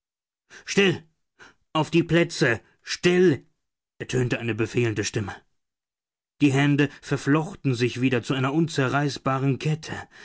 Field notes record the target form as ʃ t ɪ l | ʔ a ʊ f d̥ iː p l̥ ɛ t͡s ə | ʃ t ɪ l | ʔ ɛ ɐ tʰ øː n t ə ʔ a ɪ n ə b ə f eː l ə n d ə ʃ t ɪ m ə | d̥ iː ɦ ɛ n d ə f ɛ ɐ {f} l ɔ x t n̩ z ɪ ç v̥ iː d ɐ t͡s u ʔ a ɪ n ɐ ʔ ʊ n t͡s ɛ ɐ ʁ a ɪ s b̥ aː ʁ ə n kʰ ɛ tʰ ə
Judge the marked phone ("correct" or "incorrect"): correct